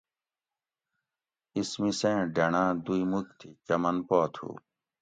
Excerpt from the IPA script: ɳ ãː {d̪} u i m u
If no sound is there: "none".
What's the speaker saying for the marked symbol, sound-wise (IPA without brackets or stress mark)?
d̪